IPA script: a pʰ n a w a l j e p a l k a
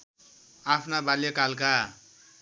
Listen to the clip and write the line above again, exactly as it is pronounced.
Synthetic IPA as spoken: a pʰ n a b a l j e k a l k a